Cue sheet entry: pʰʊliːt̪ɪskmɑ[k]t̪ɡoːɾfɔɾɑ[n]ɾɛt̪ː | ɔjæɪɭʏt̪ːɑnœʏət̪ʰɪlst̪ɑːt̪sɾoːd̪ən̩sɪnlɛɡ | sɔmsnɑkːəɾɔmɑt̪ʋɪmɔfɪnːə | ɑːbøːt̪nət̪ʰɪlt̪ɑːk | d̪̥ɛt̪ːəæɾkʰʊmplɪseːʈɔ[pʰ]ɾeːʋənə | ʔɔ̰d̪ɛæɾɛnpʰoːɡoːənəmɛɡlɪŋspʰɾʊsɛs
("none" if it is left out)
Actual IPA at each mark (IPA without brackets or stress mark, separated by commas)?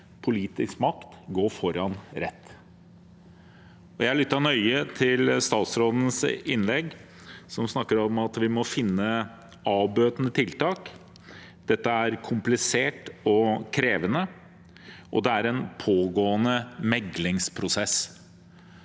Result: k, n, kʰ